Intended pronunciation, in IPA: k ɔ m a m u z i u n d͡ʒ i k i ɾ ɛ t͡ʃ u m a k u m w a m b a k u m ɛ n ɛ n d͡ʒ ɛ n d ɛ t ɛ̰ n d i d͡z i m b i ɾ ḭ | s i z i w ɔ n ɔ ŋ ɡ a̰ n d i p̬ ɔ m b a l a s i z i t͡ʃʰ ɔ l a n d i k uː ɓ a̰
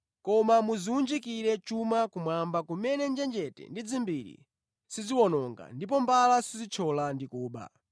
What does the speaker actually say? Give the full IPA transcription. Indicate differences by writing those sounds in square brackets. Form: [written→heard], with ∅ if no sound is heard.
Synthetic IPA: k ɔ m a m u z i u n d͡ʒ i k i ɾ ɛ t͡ʃ u m a k u m w a m b a k u m ɛ n ɛ n d͡ʒ ɛ n [d→d͡ʒ] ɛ t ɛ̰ n d i d͡z i m b i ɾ ḭ | s i z i w ɔ n ɔ ŋ ɡ a̰ n d i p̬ ɔ m b a l a s i z i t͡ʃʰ ɔ l a n d i k uː ɓ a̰